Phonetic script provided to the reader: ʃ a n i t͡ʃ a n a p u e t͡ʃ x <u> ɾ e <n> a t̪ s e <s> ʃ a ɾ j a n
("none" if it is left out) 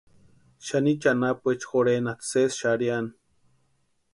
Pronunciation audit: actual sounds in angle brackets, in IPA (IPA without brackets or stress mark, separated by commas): o, n, s